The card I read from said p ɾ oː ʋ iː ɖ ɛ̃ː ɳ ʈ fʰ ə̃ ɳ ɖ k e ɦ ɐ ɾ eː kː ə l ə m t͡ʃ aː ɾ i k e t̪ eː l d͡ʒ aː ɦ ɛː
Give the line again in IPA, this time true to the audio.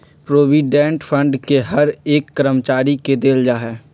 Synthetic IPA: p ɾ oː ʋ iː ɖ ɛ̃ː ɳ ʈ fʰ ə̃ ɳ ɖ k e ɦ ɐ ɾ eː kː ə ɾ ə m t͡ʃ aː ɾ i k e d̪ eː l d͡ʒ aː ɦ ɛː